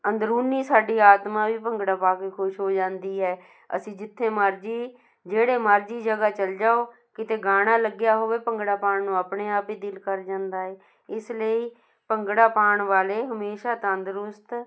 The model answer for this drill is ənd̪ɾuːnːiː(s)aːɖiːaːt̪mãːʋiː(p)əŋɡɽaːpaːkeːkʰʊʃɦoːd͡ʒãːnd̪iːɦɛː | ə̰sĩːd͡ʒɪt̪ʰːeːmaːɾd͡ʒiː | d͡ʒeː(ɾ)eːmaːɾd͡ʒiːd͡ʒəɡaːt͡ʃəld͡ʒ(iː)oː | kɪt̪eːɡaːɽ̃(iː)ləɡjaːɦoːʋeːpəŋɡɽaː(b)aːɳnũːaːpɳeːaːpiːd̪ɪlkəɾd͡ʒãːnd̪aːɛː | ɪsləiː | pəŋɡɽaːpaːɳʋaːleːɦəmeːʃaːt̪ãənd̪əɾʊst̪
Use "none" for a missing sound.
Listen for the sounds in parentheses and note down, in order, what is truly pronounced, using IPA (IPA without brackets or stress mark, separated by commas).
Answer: s, p, ɽ, aː, aː, p